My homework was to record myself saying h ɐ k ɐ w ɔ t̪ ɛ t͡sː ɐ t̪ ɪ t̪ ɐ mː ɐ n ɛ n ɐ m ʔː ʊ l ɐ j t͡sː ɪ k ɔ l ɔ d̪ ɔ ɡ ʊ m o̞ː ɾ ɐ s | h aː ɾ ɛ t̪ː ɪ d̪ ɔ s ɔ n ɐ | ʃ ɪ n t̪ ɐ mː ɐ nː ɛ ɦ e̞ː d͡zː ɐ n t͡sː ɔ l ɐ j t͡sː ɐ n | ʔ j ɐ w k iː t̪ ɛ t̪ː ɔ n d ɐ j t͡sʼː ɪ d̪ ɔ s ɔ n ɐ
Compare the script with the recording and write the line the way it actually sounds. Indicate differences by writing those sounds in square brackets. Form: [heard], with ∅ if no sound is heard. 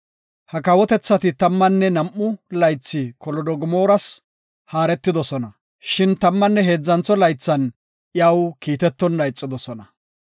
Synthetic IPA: h ɐ k ɐ w ɔ t̪ ɛ t͡sː ɐ t̪ ɪ t̪ ɐ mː ɐ [nː] ɛ n ɐ m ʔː ʊ l ɐ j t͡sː ɪ k ɔ l ɔ d̪ ɔ ɡ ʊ m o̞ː ɾ ɐ s | h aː ɾ ɛ t̪ː ɪ d̪ ɔ s ɔ n ɐ | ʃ ɪ n t̪ ɐ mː ɐ nː ɛ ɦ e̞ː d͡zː ɐ n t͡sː ɔ l ɐ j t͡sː ɐ n | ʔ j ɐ w k iː t̪ ɛ t̪ː ɔ n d ɐ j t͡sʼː ɪ d̪ ɔ s ɔ n ɐ